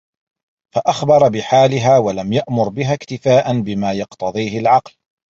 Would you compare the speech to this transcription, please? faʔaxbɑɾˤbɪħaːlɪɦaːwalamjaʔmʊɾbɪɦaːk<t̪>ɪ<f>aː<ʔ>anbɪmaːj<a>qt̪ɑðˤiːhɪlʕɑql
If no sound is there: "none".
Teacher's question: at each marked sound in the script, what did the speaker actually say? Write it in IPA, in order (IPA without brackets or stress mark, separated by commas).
t̪, f, ʔ, ɑ